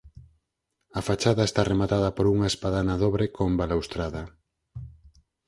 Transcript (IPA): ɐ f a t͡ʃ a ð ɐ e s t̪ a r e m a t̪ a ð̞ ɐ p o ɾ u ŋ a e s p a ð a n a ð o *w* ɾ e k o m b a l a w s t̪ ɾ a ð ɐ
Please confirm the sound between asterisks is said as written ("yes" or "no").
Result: no